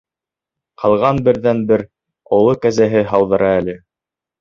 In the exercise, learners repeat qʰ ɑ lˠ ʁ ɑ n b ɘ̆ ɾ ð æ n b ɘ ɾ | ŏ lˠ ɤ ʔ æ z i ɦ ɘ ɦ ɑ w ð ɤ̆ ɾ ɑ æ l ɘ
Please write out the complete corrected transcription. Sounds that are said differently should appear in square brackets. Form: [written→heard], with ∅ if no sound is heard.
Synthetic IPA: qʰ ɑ lˠ ʁ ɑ n b ɘ̆ ɾ ð æ n b ɘ ɾ | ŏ lˠ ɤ [ʔ→k] æ z [i→æ] ɦ ɘ ɦ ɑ w ð ɤ̆ ɾ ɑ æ l ɘ